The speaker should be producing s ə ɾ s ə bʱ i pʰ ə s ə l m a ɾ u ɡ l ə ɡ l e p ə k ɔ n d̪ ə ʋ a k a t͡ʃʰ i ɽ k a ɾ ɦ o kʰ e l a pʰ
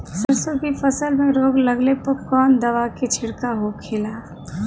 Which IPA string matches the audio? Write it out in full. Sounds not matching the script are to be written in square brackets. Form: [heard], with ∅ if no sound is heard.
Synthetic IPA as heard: s ə ɾ s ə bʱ i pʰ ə s ə l m [e] ɾ [o] ɡ l ə ɡ l e p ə k ɔ n d̪ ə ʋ a k [e] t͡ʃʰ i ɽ k a [∅] ɦ o kʰ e l a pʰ

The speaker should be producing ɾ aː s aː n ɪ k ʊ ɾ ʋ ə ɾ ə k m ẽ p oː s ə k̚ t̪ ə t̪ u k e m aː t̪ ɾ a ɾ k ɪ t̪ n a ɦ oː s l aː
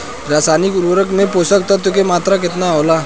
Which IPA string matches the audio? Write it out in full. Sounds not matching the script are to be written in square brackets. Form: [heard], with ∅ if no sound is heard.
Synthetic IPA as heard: ɾ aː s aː n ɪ k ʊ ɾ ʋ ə ɾ ə k m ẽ p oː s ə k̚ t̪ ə t̪ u k e m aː t̪ ɾ a [∅] k ɪ t̪ n a ɦ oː [∅] l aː

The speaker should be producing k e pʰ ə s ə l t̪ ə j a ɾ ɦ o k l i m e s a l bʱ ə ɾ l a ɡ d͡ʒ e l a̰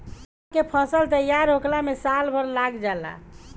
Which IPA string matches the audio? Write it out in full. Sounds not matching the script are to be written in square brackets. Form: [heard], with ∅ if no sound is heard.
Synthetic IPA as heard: k e pʰ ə s ə l t̪ ə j a ɾ ɦ o k l [a] m e s a l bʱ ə ɾ l a ɡ d͡ʒ [a] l a̰

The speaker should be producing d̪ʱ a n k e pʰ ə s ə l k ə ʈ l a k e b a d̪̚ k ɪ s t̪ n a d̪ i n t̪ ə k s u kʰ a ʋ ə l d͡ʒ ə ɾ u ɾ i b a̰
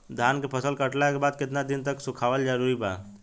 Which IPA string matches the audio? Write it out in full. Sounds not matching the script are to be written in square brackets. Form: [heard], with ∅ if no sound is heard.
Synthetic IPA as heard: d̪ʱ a n k e pʰ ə s ə l k ə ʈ l a k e b a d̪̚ k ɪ [∅] t̪ n a d̪ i n t̪ ə k s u kʰ a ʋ ə l d͡ʒ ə ɾ u ɾ i b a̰

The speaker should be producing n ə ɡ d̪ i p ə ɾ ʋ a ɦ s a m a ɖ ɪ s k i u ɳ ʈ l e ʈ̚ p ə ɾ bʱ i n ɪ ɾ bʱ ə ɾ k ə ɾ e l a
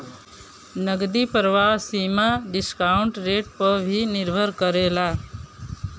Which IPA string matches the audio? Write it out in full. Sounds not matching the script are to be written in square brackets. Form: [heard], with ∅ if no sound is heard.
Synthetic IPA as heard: n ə ɡ d̪ i p ə ɾ ʋ a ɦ s [i] m a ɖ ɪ s k [a] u ɳ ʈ [ɾ] e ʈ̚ p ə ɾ bʱ i n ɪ ɾ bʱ ə ɾ k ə ɾ e l a

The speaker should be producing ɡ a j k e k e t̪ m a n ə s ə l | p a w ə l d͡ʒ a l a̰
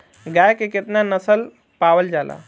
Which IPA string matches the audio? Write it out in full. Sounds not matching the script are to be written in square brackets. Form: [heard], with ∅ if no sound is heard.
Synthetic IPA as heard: ɡ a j k e k e t̪ [n] a n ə s ə l | p a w ə l d͡ʒ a l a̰

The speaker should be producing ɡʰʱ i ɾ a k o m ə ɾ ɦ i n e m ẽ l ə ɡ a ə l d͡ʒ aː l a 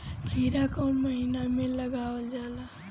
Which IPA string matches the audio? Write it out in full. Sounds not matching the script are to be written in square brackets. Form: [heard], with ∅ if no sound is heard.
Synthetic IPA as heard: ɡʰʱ i ɾ a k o m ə [∅] ɦ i n [a] m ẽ l ə ɡ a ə l d͡ʒ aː l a

